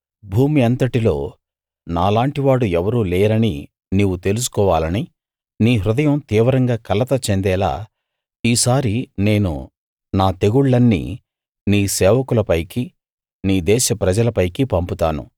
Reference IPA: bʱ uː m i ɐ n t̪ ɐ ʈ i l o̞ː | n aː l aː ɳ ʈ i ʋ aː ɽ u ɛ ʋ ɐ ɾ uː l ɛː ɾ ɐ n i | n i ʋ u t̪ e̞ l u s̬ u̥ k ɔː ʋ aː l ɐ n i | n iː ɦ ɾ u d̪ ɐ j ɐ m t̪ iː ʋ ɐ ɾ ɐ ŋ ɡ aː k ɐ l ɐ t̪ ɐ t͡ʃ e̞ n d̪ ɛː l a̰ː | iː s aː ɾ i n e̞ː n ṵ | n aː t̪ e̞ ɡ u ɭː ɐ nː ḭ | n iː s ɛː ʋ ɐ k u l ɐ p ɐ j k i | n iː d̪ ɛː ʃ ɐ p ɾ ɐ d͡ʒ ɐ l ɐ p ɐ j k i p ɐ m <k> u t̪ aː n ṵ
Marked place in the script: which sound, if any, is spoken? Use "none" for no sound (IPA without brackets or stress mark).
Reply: p